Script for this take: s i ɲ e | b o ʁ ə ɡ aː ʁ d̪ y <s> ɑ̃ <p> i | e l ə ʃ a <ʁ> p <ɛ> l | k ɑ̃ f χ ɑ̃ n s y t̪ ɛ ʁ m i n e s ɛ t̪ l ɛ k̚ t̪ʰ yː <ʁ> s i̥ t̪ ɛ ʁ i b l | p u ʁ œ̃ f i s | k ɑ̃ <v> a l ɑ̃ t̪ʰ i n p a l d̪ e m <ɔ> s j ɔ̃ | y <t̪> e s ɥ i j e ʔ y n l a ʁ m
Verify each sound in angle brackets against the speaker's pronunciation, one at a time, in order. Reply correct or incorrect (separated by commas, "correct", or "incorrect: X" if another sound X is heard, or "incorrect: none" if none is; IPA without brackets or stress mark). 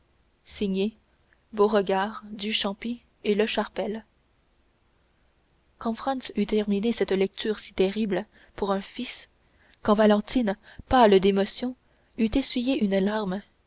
incorrect: ʃ, correct, correct, correct, correct, correct, correct, correct